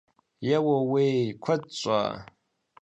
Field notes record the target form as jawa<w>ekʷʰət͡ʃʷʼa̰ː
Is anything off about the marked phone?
no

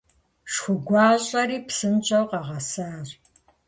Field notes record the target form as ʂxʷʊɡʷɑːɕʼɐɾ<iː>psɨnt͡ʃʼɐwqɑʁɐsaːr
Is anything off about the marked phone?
no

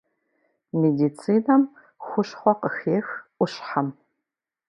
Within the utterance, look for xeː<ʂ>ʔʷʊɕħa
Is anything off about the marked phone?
yes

